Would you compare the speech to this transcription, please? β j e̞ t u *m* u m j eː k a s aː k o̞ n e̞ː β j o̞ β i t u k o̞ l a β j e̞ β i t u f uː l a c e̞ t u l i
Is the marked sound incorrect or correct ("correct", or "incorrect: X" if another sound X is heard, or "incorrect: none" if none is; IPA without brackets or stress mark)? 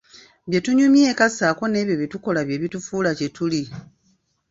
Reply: incorrect: ɲ